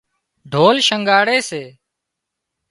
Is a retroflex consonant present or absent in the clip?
present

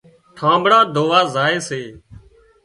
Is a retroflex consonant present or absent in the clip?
present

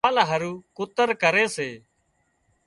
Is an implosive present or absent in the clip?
absent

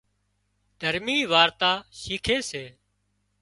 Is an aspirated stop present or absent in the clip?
present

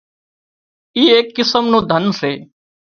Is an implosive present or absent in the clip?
absent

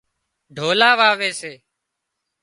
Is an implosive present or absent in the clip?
absent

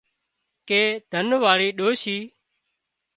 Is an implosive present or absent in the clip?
present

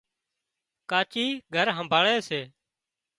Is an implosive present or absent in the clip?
absent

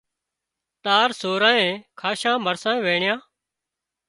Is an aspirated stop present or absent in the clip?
present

